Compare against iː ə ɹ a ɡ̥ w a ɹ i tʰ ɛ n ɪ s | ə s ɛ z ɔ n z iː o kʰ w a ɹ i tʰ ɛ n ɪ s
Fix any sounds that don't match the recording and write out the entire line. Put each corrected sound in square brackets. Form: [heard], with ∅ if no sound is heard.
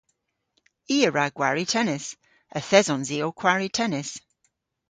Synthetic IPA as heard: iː ə ɹ a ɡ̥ w a ɹ i tʰ ɛ n ɪ s | ə [θ] ɛ z ɔ n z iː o kʰ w a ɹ i tʰ ɛ n ɪ s